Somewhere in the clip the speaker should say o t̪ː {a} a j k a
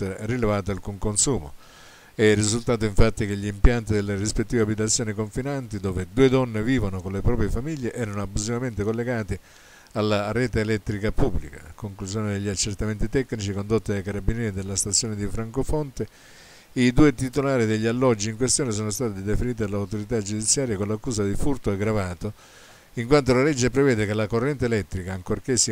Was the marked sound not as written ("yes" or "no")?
yes